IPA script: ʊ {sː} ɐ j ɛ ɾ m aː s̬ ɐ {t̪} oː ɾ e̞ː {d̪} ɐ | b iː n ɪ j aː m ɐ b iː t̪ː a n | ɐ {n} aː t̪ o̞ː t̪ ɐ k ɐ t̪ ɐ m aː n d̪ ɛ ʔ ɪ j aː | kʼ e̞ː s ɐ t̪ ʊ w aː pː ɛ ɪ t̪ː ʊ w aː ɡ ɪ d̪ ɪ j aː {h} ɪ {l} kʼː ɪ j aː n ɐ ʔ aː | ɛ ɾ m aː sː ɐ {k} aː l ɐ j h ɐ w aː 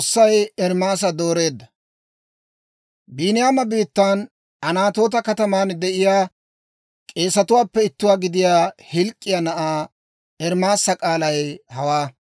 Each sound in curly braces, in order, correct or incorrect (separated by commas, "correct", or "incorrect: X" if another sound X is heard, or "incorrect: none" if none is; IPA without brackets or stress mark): correct, incorrect: d̪, incorrect: d̪ː, correct, correct, correct, incorrect: kʼ